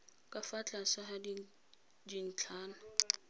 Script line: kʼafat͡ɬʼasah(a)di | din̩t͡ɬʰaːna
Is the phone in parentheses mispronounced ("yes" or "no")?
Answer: no